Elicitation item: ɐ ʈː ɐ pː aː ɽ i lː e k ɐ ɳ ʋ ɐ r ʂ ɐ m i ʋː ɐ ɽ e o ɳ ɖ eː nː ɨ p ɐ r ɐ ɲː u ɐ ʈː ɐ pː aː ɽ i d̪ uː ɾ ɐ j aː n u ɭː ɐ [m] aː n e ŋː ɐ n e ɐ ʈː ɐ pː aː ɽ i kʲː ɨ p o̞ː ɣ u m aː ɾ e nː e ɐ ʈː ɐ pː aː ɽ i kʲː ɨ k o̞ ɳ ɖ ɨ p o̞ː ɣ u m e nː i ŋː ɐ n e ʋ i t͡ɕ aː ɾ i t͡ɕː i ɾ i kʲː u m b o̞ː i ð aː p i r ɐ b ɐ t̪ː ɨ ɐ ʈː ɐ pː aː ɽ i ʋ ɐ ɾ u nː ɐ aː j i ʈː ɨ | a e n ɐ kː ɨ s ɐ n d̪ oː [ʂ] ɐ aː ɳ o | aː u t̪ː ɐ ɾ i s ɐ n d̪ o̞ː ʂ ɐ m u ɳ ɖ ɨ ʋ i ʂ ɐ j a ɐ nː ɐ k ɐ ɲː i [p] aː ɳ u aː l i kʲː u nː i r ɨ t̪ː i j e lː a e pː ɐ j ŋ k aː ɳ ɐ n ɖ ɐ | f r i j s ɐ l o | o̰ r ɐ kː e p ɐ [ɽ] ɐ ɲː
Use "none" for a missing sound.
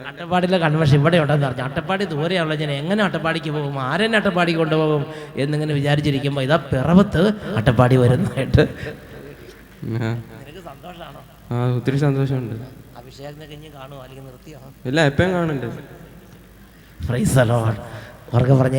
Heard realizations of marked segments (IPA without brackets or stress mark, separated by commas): ɲ, ʂ, k, r